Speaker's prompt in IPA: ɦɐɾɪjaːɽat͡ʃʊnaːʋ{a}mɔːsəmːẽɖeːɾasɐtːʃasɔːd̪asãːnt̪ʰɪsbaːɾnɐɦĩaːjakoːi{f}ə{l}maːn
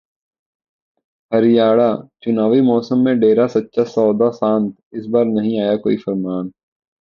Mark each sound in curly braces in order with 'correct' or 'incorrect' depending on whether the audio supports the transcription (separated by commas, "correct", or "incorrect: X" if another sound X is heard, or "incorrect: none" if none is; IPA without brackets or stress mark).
incorrect: i, correct, incorrect: ɾ